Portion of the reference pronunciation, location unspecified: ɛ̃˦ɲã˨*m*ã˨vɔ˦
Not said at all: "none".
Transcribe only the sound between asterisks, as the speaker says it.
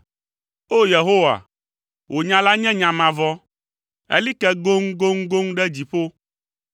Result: m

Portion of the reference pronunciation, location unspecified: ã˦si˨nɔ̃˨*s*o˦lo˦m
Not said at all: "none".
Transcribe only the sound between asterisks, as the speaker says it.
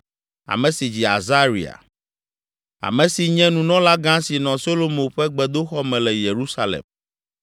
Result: s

